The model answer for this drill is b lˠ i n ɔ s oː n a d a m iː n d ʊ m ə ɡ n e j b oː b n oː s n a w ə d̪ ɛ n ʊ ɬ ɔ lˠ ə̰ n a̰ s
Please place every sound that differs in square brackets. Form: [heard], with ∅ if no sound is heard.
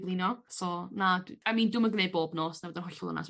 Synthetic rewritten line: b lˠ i n ɔ s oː n a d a m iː n d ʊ m ə ɡ n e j b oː b n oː s n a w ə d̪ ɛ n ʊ ɬ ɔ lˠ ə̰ n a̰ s